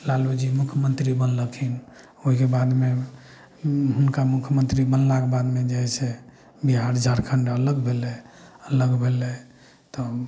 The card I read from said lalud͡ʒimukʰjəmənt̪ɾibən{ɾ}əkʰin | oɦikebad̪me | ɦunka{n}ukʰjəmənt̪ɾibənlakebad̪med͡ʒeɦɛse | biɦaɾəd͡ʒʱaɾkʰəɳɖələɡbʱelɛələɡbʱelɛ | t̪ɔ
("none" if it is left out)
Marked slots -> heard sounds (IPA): l, m

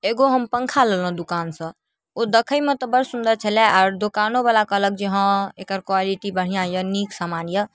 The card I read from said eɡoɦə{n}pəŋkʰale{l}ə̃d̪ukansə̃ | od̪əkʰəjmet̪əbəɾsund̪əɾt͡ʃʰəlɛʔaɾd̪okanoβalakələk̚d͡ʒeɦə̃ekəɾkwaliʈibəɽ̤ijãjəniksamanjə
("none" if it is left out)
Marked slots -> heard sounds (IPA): m, l

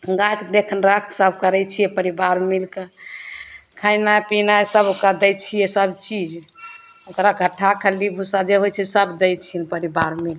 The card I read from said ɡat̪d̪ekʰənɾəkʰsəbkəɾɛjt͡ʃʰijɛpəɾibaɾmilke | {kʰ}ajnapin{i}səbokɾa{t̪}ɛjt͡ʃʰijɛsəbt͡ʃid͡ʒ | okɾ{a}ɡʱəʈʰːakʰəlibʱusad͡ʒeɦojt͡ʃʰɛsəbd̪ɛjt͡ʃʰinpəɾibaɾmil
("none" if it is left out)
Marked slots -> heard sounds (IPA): kʰ, a, d̪, a

